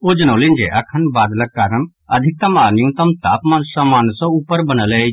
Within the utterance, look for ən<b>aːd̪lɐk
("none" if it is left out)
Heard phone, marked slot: b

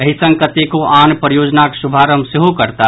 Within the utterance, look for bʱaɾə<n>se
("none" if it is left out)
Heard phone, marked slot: m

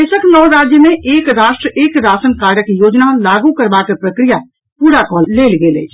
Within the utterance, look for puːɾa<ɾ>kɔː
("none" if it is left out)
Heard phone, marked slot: none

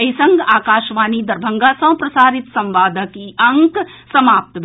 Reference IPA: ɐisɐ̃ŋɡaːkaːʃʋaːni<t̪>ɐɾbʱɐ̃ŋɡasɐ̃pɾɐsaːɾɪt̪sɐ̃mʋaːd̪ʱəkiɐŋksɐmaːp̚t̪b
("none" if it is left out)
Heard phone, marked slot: d̪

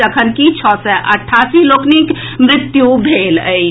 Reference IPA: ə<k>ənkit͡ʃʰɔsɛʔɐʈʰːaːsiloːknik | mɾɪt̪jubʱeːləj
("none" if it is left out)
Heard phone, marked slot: kʰ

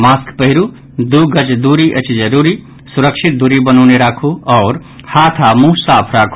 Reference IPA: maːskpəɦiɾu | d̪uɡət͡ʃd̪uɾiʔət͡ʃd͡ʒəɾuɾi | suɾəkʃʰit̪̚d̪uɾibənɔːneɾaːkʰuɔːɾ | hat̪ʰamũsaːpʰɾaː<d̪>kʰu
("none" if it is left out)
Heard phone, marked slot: none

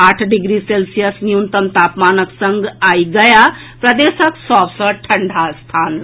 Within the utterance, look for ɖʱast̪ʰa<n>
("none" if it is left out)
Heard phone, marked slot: n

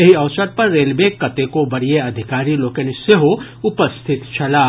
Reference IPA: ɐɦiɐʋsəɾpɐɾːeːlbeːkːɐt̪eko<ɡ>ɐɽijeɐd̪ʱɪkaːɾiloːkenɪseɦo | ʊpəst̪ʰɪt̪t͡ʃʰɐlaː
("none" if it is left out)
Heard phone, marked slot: b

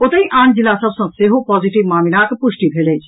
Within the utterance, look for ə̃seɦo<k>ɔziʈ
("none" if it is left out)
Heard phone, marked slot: p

